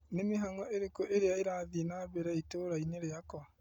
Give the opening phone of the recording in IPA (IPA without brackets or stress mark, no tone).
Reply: n